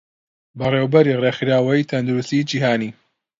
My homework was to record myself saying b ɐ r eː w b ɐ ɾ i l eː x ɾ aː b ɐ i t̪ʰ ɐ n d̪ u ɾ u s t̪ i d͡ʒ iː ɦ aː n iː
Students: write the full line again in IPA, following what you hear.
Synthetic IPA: b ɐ r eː w b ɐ ɾ i r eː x ɾ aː w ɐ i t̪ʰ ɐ n d̪ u ɾ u s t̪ i d͡ʒ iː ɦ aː n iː